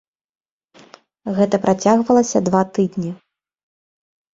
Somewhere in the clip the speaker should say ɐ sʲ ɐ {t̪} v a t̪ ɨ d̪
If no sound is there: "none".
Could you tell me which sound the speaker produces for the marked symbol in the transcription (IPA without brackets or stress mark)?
d̪